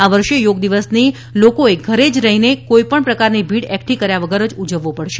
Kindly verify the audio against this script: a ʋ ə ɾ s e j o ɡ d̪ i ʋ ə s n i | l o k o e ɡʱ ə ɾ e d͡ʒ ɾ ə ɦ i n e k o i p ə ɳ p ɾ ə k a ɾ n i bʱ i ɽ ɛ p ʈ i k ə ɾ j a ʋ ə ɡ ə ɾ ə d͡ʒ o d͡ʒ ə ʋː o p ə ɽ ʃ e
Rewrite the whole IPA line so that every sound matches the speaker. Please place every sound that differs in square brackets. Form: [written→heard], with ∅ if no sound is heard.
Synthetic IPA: a ʋ ə ɾ [s→ʃ] e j o ɡ d̪ i ʋ ə s n i | l o k o e ɡʱ ə ɾ e d͡ʒ ɾ ə ɦ i n e k o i p ə ɳ p ɾ ə k a ɾ n i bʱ i ɽ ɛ [p→k] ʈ i k ə ɾ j a ʋ ə ɡ ə ɾ ə d͡ʒ [o→u] d͡ʒ ə ʋː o p ə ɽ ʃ e